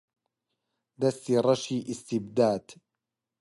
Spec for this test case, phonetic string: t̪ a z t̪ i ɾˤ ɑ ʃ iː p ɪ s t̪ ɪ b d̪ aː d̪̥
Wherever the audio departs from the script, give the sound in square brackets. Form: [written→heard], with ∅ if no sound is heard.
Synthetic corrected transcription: [t̪→d̪] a [z→s] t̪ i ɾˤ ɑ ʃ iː [p→ʔ] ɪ s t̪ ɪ b d̪ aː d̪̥